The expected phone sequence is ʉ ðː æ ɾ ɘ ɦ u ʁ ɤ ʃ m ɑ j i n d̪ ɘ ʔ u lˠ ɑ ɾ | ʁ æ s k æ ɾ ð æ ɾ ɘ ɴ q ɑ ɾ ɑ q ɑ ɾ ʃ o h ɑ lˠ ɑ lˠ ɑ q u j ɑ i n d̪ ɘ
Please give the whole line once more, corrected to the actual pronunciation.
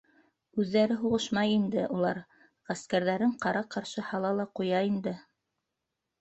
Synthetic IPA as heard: ʉ ðː æ ɾ ɘ ɦ u ʁ ɤ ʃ m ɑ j i n d̪ ɘ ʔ u lˠ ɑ ɾ | ʁ æ s k æ ɾ ð æ ɾ ɘ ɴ q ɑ ɾ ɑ q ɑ ɾ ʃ ɤ h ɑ lˠ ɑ lˠ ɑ q u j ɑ i n d̪ ɘ